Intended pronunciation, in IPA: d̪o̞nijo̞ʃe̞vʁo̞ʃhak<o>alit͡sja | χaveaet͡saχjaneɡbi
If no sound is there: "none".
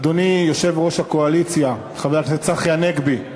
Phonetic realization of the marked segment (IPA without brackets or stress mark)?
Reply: o